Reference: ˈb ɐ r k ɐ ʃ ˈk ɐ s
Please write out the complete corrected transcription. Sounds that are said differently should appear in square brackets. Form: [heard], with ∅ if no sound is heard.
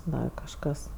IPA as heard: [ˈd] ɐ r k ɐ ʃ ˈk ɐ s